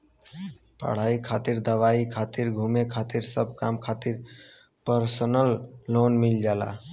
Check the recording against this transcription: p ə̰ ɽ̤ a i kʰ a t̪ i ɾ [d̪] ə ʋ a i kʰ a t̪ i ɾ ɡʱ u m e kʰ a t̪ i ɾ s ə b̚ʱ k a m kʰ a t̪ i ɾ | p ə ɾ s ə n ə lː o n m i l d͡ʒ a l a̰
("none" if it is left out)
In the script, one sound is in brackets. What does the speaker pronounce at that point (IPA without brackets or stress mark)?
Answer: d̪